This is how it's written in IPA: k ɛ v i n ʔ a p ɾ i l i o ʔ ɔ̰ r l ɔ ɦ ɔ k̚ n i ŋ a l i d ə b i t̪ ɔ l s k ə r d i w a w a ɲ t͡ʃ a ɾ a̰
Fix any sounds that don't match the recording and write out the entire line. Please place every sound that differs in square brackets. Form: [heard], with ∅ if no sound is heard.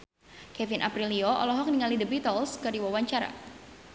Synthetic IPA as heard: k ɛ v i n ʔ a p ɾ i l i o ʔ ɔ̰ [∅] l ɔ ɦ ɔ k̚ n i ŋ a l i d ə b i t̪ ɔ l s k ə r d i w a w a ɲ t͡ʃ a ɾ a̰

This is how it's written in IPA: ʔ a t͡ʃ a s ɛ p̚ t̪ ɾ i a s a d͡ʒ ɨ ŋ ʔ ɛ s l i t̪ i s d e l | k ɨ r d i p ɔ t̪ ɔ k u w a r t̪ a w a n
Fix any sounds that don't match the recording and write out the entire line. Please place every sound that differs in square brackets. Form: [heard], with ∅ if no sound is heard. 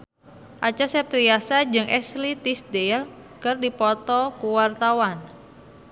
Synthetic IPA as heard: ʔ a t͡ʃ a s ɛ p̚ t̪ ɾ i a s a d͡ʒ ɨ ŋ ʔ ɛ s l i t̪ i s d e l | k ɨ r d i p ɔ t̪ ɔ k u w a r t̪ a w a n

